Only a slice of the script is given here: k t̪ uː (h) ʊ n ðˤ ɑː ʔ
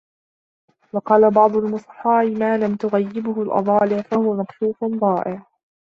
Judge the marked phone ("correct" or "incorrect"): incorrect